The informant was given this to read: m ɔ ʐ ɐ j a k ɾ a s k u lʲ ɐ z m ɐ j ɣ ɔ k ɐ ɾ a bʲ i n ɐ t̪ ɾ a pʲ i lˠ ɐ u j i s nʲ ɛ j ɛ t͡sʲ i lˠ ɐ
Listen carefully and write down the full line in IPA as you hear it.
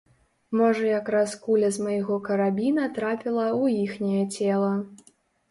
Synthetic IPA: m ɔ ʐ ɐ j a k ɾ a s k u lʲ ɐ z m ɐ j ɣ ɔ k ɐ ɾ a bʲ i n ɐ t̪ ɾ a pʲ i lˠ ɐ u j i x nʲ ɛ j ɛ t͡sʲ ɛ lˠ ɐ